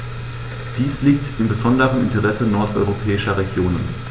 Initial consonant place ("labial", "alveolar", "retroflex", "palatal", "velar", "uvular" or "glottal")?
alveolar